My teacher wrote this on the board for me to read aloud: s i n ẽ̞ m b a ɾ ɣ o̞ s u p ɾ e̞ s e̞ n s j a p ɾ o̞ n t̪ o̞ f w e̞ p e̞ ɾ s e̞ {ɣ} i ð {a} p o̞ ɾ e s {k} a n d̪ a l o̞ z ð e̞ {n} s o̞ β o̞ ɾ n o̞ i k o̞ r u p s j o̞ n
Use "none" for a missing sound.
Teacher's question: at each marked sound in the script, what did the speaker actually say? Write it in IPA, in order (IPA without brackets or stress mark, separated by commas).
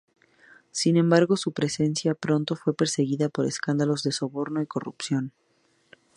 ɣ, a, k, none